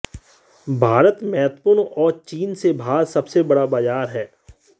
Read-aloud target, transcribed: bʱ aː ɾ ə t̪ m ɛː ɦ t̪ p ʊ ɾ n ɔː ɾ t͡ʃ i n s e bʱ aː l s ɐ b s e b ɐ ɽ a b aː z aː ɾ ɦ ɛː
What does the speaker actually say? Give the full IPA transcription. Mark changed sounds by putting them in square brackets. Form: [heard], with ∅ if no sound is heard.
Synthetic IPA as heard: bʱ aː ɾ ə t̪ m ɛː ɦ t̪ p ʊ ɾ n ɔː ɾ t͡ʃ [iː] n s e bʱ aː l s ɐ b s e b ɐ ɽ a b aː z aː ɾ ɦ ɛː